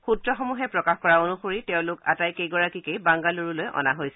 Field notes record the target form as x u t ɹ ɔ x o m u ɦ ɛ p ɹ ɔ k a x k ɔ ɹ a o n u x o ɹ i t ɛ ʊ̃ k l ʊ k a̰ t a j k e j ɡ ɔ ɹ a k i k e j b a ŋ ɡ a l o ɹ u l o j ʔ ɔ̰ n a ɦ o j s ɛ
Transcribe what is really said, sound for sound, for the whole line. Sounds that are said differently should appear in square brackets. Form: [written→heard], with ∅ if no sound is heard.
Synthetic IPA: x u t ɹ ɔ x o m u ɦ ɛ p ɹ ɔ k a x k ɔ ɹ a o n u x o ɹ i t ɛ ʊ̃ [k→∅] l ʊ k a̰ t a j k e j ɡ ɔ ɹ a k i k e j b a ŋ ɡ a l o ɹ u l o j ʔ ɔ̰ n a ɦ o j s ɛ

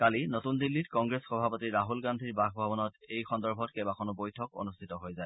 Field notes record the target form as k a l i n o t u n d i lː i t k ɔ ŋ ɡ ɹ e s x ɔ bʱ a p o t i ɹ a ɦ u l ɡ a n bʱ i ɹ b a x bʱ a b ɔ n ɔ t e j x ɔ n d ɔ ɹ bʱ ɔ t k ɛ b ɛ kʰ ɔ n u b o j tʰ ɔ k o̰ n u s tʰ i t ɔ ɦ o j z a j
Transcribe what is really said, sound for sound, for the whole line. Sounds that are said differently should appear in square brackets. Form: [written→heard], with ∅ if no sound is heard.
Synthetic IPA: k a l i n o t u n d i lː i t k ɔ ŋ ɡ ɹ e s x ɔ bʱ a p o t i ɹ a ɦ u l ɡ a n [bʱ→dʱ] i ɹ b a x bʱ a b ɔ n ɔ t e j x ɔ n d ɔ ɹ bʱ ɔ t k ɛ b [ɛ→a] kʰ ɔ n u b o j tʰ ɔ k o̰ n u s tʰ i t ɔ ɦ o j z a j

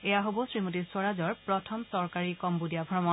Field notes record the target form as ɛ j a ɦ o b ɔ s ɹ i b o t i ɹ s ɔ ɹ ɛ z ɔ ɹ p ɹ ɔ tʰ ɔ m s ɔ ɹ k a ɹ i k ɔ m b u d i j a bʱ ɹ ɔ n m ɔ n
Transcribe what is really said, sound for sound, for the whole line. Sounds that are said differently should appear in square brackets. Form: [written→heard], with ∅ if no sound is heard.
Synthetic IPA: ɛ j a ɦ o b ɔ s ɹ i [b→m] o t i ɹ s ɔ ɹ [ɛ→a] z ɔ ɹ p ɹ ɔ tʰ ɔ m s ɔ ɹ k a ɹ i k ɔ m b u d i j a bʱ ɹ ɔ [n→∅] m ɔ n

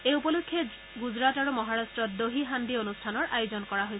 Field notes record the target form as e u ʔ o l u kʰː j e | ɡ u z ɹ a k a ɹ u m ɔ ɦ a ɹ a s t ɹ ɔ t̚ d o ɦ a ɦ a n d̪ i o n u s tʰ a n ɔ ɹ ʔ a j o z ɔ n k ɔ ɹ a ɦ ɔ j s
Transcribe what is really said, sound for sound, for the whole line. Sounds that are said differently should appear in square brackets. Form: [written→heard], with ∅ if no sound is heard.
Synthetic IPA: e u [ʔ→p] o l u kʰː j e | ɡ u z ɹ a [k→t] a ɹ u m ɔ ɦ a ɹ a s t ɹ ɔ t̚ d o ɦ [a→i] ɦ a n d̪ i o n u s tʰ a n ɔ ɹ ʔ a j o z ɔ n k ɔ ɹ a ɦ [ɔ→o] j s

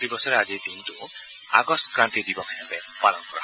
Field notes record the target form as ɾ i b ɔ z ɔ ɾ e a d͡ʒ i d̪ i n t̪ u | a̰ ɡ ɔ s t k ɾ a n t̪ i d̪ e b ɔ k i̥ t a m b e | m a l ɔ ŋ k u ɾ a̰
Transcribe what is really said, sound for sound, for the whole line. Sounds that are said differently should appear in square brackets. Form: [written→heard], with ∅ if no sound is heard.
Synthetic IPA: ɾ i b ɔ [z→s] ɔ ɾ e a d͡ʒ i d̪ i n t̪ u | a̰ ɡ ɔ s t k ɾ a n t̪ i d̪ [e→i] b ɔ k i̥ [t→s] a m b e | m a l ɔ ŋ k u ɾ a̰

